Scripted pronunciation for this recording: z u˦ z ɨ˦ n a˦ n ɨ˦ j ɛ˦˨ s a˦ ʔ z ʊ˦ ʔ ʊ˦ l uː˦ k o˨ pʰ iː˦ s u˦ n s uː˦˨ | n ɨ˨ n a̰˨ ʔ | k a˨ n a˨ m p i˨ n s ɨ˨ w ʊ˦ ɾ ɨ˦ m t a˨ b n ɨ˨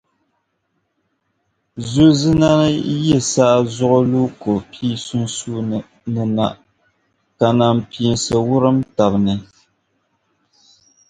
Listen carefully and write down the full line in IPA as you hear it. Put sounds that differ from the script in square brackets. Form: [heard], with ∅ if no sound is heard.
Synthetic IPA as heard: z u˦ z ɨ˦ n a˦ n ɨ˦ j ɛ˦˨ s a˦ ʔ z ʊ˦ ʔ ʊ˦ l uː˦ k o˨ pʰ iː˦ s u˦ n s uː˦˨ | n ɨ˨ n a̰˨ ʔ | k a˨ n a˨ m p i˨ n s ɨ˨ w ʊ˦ ɾ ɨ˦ m t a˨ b n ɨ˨

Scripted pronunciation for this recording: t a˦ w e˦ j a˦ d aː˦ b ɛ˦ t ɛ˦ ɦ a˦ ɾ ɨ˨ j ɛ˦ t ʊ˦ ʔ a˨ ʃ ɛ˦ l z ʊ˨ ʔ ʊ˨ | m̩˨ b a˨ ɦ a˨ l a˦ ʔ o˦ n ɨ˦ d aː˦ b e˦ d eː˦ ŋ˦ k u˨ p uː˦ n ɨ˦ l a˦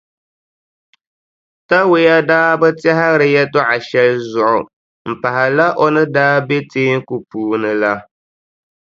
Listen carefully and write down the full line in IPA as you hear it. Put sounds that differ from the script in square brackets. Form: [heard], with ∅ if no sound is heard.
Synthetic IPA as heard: t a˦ w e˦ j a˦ d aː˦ b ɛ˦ t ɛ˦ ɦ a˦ ɾ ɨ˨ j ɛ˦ t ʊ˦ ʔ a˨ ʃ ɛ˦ l z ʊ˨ ʔ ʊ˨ | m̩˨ [p] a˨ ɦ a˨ l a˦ ʔ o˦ n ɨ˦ d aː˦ b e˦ [t] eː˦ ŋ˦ k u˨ p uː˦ n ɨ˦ l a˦

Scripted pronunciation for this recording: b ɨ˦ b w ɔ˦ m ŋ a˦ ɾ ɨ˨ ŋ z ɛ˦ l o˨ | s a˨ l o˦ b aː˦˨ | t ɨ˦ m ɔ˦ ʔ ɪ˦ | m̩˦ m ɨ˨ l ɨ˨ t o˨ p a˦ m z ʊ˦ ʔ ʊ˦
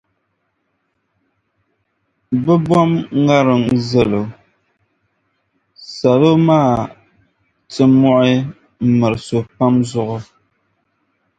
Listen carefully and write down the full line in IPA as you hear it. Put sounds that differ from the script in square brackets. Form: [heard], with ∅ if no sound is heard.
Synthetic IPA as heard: b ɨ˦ b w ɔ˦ m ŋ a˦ ɾ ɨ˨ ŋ z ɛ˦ l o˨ | s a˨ l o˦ [m] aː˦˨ | t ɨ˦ m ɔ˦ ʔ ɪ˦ | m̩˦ m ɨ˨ [ɾ] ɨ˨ [s] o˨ p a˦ m z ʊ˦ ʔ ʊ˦

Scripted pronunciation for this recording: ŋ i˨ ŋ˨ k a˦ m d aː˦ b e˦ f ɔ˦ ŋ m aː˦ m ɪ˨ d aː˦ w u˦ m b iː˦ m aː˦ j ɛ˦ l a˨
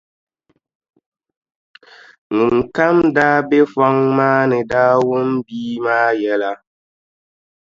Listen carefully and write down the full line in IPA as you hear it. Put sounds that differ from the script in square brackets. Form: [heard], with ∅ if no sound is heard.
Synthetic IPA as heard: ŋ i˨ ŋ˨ k a˦ m d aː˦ b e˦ f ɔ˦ ŋ m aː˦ [n] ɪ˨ d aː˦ w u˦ m b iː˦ m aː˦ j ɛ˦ l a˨

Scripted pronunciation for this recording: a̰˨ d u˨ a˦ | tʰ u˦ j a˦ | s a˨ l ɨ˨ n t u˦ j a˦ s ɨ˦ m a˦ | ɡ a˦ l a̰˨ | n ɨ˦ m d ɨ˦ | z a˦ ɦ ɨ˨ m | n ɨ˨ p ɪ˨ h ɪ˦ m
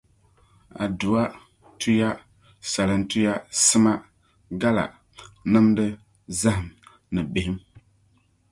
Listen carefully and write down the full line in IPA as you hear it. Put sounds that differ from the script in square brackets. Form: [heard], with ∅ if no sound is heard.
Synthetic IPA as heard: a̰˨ d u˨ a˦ | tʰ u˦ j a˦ | s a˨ l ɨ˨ n t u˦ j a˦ s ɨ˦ m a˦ | ɡ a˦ l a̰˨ | n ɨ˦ m d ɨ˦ | z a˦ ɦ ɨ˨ m | n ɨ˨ [b] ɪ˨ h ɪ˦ m

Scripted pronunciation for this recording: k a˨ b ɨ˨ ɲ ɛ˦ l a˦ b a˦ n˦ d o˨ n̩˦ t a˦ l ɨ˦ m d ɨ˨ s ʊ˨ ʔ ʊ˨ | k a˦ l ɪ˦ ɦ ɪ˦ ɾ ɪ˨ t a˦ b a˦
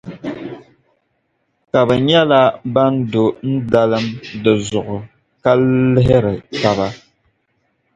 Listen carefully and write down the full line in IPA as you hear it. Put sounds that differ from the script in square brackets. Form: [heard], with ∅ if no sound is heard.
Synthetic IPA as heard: k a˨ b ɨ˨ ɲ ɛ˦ l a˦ b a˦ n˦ d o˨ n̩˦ [d] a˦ l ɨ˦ m d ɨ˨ [z] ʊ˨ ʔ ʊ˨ | k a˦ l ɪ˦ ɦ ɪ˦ ɾ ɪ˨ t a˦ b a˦

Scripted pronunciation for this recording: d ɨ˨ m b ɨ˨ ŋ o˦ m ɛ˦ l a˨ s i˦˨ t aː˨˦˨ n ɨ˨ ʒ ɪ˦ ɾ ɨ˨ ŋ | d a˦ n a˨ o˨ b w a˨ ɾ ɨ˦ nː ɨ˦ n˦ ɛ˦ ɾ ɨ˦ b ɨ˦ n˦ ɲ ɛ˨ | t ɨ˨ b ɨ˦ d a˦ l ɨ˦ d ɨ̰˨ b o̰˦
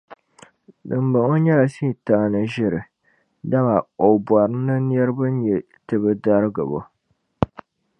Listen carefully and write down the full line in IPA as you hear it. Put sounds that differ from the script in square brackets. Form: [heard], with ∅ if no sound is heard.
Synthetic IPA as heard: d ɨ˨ m b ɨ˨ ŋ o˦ [ɲ] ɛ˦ l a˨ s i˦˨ t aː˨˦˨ n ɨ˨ ʒ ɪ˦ ɾ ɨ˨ [∅] | d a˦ [m] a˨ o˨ b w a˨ ɾ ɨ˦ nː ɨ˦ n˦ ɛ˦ ɾ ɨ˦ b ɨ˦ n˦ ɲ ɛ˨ | t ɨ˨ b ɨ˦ d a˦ [ɾ] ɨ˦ [ɡ] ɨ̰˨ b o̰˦

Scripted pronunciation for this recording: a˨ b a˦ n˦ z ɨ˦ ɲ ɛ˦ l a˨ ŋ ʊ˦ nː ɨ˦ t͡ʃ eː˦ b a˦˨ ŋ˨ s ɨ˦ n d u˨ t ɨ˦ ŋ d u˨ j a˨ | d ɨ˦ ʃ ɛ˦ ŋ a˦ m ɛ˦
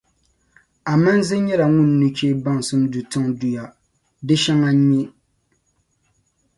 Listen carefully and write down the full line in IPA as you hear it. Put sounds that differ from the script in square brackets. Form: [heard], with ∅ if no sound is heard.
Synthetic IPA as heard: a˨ [m] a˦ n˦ z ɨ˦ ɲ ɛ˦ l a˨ ŋ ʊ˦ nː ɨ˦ t͡ʃ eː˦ b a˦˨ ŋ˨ s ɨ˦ [m] d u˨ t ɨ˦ ŋ d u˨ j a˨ | d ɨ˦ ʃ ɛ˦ ŋ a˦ [ɲ] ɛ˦

